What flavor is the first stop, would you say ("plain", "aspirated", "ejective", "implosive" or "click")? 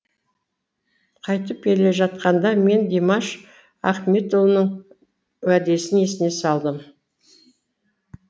aspirated